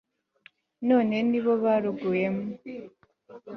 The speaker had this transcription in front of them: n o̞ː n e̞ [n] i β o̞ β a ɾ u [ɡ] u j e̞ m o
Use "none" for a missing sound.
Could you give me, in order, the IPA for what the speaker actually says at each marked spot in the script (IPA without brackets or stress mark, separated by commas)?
n, ɡ